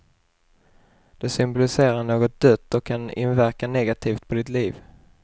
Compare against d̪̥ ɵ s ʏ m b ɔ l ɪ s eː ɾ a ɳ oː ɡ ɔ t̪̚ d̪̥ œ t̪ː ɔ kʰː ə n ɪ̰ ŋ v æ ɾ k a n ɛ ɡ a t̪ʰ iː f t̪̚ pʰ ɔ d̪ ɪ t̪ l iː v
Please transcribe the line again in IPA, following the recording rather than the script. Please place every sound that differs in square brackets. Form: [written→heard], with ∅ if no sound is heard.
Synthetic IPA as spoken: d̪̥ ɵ s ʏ m b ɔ l ɪ s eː ɾ a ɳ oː ɡ ɔ t̪̚ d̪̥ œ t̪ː ɔ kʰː [ə→a] n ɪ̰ [ŋ→n] v æ ɾ k a n ɛ ɡ a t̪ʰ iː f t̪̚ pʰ ɔ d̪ ɪ t̪ l iː v